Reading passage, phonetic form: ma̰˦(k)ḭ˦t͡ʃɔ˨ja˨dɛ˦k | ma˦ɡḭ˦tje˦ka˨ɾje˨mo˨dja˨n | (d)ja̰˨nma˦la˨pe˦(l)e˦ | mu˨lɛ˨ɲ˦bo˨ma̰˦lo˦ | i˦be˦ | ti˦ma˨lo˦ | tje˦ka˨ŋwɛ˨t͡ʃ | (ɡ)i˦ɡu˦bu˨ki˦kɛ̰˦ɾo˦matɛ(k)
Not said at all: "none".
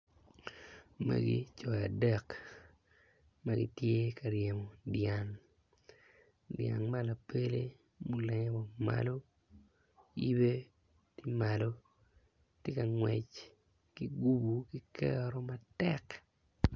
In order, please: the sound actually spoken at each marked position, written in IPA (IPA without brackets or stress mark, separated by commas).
ɡ, d, l, k, k